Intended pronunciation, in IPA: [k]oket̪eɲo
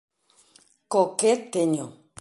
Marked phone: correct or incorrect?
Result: correct